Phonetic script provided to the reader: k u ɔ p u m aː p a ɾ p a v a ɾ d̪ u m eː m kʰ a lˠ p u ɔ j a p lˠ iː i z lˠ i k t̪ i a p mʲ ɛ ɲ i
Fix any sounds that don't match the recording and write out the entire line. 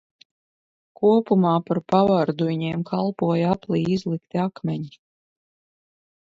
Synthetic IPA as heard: k u ɔ p u m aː p a ɾ p a v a ɾ d̪ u ɲ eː m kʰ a lˠ p u ɔ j a p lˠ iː i z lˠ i k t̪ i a k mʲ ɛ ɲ i